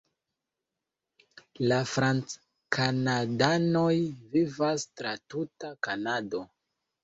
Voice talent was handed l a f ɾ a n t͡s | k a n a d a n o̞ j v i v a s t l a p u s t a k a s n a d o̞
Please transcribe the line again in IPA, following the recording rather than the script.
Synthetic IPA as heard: l a f ɾ a n t͡s | k a n a d a n o̞ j v i v a s t ɾ a t u t a k a n a d o̞